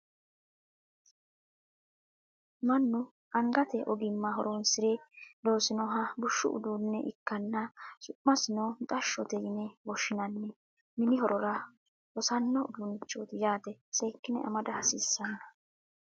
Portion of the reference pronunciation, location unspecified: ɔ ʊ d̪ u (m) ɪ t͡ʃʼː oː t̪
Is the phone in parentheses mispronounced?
yes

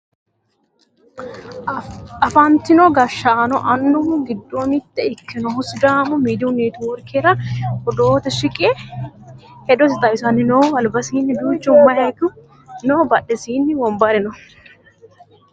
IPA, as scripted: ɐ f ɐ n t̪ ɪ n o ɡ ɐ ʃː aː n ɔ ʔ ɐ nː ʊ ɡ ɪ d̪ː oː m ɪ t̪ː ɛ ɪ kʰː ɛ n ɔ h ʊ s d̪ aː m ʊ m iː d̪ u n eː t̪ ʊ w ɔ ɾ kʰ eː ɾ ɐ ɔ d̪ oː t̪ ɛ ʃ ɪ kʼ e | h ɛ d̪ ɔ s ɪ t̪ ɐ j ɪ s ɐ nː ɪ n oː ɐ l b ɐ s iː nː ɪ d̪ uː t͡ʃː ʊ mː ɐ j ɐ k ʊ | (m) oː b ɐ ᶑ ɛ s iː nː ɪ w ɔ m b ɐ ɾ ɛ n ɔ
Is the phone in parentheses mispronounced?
yes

